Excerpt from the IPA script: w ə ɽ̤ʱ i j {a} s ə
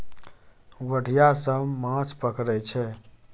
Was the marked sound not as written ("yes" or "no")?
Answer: no